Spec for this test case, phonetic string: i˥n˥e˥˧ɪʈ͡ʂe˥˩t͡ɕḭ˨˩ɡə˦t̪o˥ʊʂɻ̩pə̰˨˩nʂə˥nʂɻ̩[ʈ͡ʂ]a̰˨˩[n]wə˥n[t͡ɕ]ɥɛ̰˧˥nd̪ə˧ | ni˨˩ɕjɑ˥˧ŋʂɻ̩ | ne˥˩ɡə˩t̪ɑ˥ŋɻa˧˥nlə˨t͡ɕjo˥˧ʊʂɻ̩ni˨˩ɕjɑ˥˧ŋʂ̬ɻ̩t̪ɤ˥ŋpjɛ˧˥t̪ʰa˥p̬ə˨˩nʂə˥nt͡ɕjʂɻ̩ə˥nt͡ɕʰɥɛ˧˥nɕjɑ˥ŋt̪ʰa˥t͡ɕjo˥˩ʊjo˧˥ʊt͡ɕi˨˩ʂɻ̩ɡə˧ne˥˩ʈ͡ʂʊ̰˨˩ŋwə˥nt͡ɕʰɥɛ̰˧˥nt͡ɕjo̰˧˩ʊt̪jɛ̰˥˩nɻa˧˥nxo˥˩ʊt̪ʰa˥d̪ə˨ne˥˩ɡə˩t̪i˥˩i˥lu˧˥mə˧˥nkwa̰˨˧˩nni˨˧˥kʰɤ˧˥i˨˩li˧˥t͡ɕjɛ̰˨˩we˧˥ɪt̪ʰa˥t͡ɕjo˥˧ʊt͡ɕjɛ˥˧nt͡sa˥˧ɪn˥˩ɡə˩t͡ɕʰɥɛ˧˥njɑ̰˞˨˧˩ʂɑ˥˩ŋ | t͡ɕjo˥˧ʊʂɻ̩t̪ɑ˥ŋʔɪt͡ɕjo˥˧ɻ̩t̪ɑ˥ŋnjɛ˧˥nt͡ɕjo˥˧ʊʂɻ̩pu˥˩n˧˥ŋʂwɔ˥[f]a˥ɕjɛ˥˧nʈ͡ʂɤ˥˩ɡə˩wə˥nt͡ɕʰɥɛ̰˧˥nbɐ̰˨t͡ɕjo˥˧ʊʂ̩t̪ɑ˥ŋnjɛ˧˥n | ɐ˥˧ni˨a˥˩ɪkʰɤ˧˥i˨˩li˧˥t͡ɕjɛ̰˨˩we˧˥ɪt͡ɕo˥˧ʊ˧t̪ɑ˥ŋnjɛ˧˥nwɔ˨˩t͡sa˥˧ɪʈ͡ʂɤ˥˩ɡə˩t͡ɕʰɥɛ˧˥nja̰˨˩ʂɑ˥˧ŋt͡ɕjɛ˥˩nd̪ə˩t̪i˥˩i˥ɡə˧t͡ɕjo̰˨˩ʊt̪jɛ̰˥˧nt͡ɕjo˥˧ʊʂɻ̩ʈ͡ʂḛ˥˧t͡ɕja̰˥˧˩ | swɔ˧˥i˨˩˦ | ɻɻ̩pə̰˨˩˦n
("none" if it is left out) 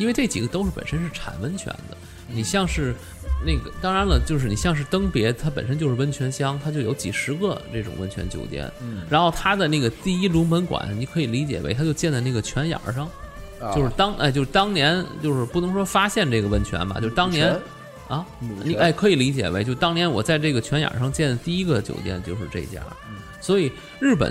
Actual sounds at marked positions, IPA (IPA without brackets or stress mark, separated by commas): ʈ͡ʂʰ, n, t͡ɕʰ, f